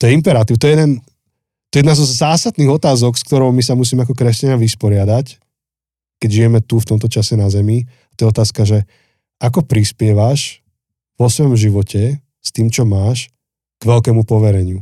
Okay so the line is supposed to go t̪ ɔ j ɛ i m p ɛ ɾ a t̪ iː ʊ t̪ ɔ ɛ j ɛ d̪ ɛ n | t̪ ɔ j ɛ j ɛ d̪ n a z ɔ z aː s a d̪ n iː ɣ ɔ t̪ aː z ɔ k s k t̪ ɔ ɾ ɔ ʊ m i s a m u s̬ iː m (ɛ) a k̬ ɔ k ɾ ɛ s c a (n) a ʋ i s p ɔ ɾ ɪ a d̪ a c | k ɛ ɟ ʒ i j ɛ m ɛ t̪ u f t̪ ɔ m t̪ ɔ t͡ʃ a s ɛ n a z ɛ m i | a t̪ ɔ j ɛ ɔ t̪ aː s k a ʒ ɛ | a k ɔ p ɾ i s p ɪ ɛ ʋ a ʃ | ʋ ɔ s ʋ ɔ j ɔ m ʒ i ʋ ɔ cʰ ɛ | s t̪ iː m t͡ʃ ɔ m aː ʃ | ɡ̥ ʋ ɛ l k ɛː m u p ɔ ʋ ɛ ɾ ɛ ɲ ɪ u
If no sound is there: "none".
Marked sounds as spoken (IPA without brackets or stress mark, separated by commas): ɛ, ɲ